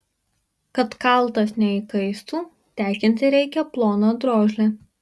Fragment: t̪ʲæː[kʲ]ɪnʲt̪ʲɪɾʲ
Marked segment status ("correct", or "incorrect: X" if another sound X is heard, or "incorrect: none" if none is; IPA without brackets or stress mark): correct